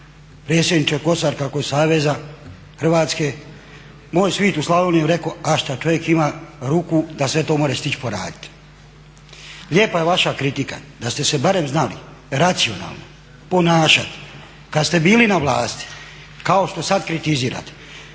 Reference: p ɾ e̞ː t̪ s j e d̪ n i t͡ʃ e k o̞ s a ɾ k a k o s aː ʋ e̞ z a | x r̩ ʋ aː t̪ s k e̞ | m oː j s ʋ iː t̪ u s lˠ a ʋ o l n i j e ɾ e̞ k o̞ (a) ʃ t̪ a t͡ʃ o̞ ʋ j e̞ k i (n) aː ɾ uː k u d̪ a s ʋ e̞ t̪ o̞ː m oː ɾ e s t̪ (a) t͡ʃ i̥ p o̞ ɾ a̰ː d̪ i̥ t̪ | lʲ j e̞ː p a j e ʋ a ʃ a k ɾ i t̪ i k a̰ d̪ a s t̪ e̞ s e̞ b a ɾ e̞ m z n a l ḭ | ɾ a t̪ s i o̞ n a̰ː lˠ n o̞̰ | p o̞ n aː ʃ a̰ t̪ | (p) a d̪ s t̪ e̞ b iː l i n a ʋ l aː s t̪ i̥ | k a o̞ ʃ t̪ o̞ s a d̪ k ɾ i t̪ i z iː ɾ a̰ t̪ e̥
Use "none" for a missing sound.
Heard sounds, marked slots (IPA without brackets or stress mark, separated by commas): a, m, i, k